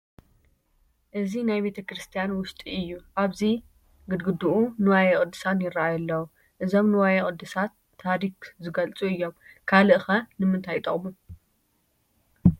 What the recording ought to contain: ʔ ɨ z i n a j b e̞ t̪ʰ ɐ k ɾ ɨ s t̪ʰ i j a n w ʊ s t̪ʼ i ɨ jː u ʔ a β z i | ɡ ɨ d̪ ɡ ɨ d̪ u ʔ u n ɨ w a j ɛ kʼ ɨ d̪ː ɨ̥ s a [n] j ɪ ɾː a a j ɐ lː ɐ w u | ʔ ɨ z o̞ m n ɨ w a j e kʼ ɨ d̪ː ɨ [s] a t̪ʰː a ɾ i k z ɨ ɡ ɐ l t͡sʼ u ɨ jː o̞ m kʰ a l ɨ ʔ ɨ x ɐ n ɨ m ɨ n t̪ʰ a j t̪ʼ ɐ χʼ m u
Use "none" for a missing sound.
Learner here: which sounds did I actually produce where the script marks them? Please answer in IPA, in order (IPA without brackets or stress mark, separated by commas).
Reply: n, s